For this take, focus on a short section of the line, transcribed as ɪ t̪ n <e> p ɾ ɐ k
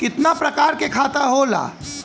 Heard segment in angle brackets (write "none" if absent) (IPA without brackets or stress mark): a